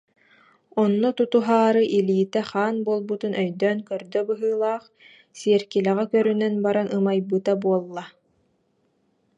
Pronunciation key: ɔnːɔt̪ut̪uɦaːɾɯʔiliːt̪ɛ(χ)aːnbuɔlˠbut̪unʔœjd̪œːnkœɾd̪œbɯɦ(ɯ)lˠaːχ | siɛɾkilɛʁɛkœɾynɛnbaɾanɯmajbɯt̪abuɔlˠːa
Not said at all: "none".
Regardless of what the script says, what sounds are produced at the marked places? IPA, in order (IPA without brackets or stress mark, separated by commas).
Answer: χ, ɯː